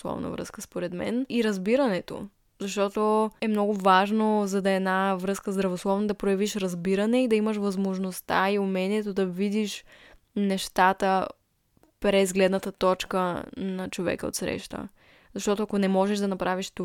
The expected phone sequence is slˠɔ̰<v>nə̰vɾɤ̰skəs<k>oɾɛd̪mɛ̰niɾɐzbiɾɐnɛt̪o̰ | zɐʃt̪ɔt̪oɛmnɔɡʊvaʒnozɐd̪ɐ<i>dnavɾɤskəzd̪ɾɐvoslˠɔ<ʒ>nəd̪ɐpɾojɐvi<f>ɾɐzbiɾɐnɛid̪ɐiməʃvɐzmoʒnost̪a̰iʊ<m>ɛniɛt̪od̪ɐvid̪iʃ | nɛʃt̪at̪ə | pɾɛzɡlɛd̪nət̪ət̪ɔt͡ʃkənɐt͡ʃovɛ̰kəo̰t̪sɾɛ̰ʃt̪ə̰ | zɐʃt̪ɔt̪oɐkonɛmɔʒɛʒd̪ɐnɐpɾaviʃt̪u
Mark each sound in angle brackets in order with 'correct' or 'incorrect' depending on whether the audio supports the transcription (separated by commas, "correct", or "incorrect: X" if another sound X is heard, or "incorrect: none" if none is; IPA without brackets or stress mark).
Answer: correct, incorrect: p, incorrect: ɛ, incorrect: v, incorrect: ʃ, correct